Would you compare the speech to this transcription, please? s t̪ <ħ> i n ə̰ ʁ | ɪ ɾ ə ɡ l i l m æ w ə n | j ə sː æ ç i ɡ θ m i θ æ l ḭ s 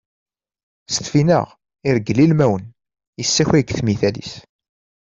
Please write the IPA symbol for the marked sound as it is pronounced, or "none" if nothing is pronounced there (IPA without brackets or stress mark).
f